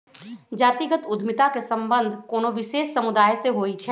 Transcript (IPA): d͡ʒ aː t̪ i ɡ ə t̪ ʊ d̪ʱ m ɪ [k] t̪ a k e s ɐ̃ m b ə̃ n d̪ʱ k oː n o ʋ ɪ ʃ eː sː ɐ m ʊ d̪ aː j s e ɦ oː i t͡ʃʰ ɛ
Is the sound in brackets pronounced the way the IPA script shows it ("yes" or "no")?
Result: no